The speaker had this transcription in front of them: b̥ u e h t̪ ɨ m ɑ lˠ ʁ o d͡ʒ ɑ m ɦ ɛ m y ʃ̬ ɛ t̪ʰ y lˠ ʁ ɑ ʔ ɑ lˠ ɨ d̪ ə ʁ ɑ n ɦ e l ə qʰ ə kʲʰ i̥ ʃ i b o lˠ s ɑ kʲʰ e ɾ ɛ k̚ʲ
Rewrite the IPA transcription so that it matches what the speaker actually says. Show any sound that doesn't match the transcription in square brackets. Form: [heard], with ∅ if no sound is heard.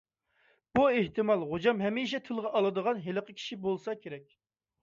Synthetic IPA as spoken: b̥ u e h t̪ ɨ m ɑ lˠ ʁ o d͡ʒ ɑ m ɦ ɛ m [i] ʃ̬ ɛ t̪ʰ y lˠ ʁ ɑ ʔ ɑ lˠ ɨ d̪ ə ʁ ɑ n ɦ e l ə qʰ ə kʲʰ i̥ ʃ i b o lˠ s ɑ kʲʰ e ɾ ɛ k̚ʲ